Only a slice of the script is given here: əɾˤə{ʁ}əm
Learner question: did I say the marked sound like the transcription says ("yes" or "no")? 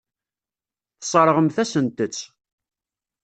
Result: yes